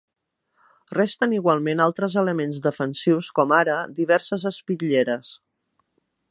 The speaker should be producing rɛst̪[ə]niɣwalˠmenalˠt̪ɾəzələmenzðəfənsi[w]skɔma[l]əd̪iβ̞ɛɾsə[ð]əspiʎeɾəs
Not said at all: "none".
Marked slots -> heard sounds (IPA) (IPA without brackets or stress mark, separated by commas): ə, w, ɾ, z